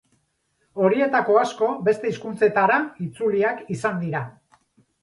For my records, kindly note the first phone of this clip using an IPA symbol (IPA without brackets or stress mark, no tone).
o̞